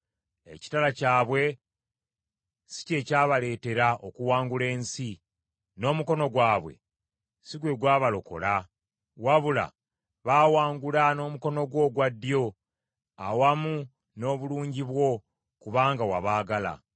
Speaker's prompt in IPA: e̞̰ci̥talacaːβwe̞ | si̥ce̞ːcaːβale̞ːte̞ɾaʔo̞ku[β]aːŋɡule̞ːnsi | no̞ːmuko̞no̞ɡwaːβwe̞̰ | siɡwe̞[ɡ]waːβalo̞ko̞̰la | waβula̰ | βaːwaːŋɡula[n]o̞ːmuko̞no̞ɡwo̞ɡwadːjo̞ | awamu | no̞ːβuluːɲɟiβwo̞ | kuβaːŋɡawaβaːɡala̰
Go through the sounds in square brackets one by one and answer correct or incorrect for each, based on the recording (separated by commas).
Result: incorrect, correct, correct